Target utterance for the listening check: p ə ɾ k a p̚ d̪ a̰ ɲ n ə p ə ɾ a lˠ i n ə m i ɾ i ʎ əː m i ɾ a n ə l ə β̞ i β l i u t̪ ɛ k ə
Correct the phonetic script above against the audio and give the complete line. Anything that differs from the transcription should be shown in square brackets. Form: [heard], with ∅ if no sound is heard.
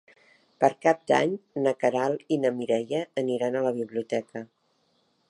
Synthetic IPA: p ə ɾ k a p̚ d̪ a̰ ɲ n ə [k] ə ɾ a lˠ i n ə m i ɾ [ɛ] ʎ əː [n] i ɾ a n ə l ə β̞ i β l i u t̪ ɛ k ə